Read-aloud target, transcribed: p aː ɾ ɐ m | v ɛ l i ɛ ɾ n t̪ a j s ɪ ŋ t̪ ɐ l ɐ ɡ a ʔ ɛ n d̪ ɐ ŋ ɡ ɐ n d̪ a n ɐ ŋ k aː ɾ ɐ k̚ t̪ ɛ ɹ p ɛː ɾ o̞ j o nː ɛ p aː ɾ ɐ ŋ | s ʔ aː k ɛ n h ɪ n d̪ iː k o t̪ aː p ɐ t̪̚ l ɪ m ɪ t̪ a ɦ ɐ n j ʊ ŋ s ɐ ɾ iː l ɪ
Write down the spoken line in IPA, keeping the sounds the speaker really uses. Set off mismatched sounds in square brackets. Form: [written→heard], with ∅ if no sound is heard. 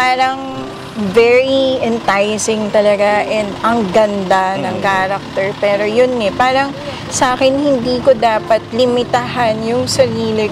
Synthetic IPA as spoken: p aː ɾ ɐ [m→ŋ] | v ɛ [l→ɹ] i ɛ [ɾ→∅] n t̪ a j s ɪ ŋ t̪ ɐ l ɐ ɡ a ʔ ɛ n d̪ ɐ ŋ ɡ ɐ n d̪ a n ɐ ŋ k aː ɾ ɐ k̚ t̪ ɛ ɹ p ɛː ɾ o̞ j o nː ɛ p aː ɾ ɐ ŋ | s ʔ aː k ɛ n h ɪ n d̪ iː k o [t̪→d̪] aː p ɐ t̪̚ l ɪ m ɪ t̪ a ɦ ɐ n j ʊ ŋ s ɐ ɾ iː l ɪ

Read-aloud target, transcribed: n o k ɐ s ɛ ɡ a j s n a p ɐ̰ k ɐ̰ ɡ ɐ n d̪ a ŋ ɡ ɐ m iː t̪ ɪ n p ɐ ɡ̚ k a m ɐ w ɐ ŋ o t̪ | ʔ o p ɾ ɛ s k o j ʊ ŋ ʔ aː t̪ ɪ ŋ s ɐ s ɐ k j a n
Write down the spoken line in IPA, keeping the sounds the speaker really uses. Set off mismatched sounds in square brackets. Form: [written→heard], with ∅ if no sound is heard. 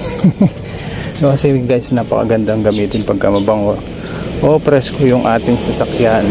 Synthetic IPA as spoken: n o k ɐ s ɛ ɡ a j s n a p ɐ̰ k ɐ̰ ɡ ɐ n d̪ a ŋ ɡ ɐ m iː t̪ ɪ n p ɐ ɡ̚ k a m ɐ [w→b] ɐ ŋ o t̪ | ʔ o p ɾ ɛ s k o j ʊ ŋ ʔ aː t̪ ɪ ŋ s ɐ s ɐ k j a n

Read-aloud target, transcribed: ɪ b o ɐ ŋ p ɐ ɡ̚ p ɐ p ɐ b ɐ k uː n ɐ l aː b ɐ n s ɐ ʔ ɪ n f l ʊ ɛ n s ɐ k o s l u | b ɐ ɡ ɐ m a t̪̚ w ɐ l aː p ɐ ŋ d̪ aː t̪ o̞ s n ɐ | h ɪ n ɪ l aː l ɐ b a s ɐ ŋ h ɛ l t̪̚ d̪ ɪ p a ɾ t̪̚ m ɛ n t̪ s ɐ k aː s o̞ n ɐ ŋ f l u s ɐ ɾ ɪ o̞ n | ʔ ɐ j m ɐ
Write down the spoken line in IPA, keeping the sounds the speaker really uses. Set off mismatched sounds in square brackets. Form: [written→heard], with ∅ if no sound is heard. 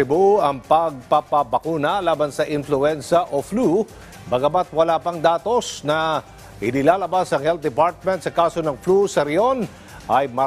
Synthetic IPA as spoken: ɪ b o ɐ ŋ p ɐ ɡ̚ p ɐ p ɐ b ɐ k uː n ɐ l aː b ɐ n s ɐ ʔ ɪ n f l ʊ ɛ n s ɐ [k→ʔ] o [s→f] l u | b ɐ ɡ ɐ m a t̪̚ w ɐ l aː p ɐ ŋ d̪ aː t̪ o̞ s n ɐ | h ɪ n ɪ l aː l ɐ b a s ɐ ŋ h ɛ l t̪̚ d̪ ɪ p a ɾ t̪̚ m ɛ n t̪ s ɐ k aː s o̞ n ɐ ŋ f l u s ɐ ɾ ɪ o̞ n | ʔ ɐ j m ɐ

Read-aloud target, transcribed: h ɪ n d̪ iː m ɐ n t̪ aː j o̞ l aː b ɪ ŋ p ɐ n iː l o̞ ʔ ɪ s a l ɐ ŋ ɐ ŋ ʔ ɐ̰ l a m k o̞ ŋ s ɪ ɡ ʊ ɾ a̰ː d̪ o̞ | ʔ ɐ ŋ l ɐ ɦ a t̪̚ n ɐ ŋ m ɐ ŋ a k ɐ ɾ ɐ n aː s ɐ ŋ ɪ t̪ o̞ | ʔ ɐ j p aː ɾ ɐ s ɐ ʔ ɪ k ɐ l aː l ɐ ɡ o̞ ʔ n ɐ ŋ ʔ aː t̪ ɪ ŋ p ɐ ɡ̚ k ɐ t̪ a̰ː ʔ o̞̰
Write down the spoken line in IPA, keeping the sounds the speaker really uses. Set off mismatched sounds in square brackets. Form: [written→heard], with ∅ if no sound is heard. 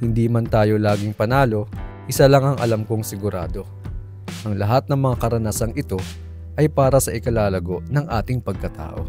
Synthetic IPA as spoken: h ɪ n d̪ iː m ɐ n t̪ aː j o̞ l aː [b→ɡ] ɪ ŋ p ɐ n [iː→aː] l o̞ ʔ ɪ s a l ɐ ŋ ɐ ŋ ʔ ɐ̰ l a m k o̞ ŋ s ɪ ɡ ʊ ɾ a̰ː d̪ o̞ | ʔ ɐ ŋ l ɐ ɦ a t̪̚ n ɐ ŋ m ɐ ŋ a k ɐ ɾ ɐ n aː s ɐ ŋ ɪ t̪ o̞ | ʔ ɐ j p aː ɾ ɐ s ɐ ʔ ɪ k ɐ l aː l ɐ ɡ o̞ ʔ n ɐ ŋ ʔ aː t̪ ɪ ŋ p ɐ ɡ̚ k ɐ t̪ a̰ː ʔ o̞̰

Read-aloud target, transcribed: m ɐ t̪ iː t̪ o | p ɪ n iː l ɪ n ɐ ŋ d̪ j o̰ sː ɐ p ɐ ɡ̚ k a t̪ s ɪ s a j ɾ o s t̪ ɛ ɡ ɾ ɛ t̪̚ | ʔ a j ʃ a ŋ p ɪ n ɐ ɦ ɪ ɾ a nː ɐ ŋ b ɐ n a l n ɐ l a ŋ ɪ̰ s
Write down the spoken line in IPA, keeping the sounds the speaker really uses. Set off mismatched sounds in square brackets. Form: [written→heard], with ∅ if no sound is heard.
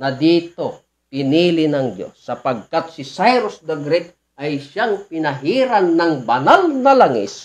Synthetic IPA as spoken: [m→n] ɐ [t̪→d̪] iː t̪ o | p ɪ n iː l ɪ n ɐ ŋ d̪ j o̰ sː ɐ p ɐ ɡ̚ k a t̪ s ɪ s a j ɾ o s [t̪→d̪] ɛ ɡ ɾ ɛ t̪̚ | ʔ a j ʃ a ŋ p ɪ n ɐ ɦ [ɪ→i] ɾ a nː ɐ ŋ b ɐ n a l n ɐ l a ŋ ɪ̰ s

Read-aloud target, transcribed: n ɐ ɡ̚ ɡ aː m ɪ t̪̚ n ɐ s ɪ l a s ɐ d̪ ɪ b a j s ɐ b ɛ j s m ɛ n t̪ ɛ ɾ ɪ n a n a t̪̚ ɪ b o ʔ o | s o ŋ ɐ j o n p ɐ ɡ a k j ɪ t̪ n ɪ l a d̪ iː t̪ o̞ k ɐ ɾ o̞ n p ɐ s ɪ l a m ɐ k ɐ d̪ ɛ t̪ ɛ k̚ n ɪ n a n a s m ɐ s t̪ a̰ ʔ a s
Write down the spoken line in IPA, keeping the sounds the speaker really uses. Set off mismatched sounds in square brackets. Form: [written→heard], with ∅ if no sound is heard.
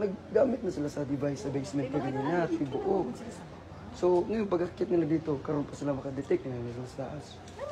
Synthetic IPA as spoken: n ɐ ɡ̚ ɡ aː m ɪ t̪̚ n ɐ s ɪ l a s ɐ d̪ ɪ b a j s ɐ b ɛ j s m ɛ n t̪ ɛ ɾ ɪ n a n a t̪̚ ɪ b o ʔ o | s o ŋ ɐ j o n p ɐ ɡ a k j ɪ t̪ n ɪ l a d̪ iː t̪ o̞ k ɐ ɾ o̞ n p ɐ s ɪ l a m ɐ k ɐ d̪ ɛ t̪ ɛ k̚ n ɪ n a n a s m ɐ s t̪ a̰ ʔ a s

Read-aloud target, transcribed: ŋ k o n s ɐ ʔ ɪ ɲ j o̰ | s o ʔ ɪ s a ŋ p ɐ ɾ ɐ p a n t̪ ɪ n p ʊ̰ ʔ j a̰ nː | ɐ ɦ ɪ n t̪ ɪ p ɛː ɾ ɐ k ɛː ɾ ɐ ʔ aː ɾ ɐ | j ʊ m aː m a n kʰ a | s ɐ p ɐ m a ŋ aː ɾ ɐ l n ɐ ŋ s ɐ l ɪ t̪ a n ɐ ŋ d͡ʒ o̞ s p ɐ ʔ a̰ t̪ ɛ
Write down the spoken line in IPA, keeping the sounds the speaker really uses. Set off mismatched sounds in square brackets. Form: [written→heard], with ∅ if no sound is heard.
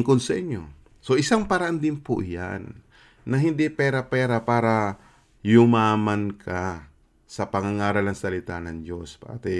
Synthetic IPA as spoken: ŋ k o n s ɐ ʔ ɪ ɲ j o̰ | s o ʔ ɪ s a ŋ p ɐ ɾ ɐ [p→ʔ] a n [t̪→d̪] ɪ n p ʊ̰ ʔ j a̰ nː | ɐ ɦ ɪ n [t̪→d̪] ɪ p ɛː ɾ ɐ [k→p] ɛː ɾ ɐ [ʔ→p] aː ɾ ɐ | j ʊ m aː m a n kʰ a | s ɐ p ɐ [m→ŋ] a ŋ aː ɾ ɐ l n ɐ ŋ s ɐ l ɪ t̪ a n ɐ ŋ d͡ʒ o̞ s p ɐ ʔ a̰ t̪ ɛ

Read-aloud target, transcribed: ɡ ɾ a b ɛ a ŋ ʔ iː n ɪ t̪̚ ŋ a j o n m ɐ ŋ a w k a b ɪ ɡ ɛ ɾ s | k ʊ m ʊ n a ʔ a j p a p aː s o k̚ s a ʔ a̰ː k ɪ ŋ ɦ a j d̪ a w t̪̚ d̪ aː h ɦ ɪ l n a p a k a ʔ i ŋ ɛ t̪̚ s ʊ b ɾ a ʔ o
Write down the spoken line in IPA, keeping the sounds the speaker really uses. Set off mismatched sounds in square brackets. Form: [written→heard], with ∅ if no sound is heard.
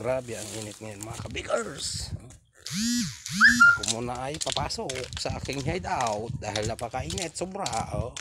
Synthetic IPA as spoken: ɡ ɾ a b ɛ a ŋ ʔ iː n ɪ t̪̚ ŋ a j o n m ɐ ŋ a [w→∅] k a b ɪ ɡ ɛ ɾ s | k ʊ m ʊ n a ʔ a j p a p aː s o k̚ s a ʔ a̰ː k ɪ ŋ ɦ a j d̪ a w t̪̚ d̪ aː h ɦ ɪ l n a p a k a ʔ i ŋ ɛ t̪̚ s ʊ b ɾ a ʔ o

